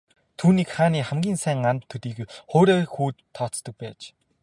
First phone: t̪ʰ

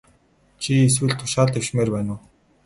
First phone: t͡ɕʰ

